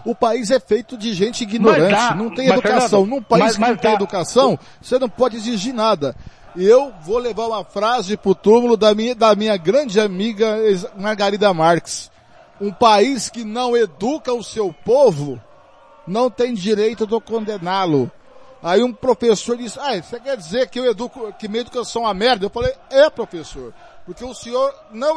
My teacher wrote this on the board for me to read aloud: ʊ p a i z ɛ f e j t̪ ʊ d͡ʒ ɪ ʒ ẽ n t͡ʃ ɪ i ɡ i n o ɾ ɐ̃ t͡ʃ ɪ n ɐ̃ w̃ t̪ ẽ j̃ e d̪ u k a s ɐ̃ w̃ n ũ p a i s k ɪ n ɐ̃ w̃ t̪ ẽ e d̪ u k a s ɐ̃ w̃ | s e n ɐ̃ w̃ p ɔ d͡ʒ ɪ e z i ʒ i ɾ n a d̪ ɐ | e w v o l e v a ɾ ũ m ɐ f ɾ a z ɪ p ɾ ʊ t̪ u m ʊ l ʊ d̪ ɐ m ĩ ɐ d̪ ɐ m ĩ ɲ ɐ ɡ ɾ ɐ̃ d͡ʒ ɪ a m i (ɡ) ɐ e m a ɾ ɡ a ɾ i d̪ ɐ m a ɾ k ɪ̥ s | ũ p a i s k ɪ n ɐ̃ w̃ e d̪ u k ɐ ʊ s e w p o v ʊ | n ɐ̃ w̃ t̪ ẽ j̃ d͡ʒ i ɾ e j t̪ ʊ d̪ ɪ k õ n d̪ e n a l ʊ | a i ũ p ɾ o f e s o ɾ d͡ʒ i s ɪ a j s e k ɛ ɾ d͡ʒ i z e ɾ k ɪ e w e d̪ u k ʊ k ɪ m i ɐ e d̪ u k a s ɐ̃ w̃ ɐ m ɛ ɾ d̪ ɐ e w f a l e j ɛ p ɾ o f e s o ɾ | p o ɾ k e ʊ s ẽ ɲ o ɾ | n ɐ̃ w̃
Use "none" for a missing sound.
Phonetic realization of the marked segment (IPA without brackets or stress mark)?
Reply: ɡ